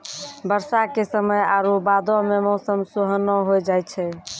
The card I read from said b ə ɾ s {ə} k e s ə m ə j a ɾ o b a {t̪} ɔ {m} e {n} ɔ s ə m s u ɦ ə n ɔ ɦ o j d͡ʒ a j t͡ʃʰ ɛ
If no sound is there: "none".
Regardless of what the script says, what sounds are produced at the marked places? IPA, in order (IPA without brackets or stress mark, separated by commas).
a, d̪, m, m